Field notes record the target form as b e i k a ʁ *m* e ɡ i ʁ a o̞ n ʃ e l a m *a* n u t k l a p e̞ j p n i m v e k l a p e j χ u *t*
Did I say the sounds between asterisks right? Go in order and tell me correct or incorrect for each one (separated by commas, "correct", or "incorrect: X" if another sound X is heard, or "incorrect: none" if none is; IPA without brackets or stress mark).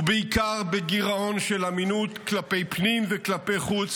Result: incorrect: b, incorrect: i, incorrect: t͡s